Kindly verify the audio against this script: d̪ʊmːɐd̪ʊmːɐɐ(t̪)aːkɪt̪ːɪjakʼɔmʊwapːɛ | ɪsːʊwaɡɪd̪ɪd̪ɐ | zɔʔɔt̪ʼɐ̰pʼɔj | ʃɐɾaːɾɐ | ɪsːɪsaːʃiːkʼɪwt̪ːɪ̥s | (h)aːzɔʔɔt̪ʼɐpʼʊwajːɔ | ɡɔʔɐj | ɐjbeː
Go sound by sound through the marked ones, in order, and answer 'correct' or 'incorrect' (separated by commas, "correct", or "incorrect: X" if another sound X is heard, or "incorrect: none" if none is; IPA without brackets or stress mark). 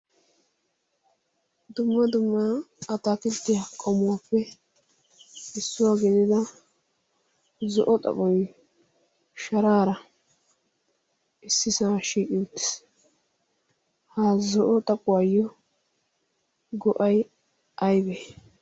correct, correct